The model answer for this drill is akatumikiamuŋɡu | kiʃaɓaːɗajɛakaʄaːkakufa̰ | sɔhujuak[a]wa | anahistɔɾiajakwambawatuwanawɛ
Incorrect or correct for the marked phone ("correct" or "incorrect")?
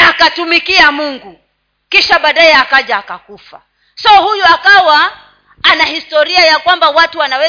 correct